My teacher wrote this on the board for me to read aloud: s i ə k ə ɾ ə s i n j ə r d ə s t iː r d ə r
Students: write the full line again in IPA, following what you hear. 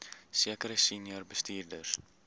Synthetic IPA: s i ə k ə ɾ ə s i n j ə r b ə s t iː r d ə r